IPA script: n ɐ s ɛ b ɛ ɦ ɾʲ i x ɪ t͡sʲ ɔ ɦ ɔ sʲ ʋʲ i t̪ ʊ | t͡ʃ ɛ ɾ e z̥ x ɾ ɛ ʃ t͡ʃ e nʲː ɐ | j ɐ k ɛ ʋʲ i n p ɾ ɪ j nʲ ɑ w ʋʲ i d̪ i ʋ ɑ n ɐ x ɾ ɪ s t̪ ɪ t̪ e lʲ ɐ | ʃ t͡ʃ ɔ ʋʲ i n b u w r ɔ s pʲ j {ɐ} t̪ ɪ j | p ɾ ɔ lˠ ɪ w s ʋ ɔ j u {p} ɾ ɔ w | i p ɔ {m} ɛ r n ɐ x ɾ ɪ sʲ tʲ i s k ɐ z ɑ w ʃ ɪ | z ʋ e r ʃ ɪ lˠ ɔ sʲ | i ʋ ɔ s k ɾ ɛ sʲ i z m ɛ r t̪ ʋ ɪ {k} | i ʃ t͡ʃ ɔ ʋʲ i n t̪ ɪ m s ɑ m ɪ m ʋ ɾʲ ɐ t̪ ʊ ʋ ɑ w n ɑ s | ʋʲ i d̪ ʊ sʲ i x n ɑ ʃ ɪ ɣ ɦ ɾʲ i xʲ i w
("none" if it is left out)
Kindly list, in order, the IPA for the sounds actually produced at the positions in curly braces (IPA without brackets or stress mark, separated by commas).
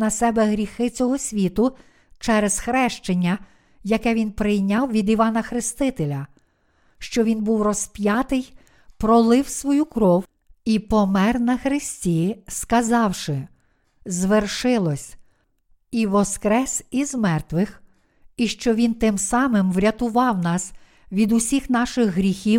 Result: ɑ, k, m, x